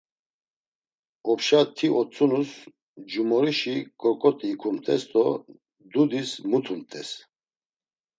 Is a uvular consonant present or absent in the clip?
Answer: absent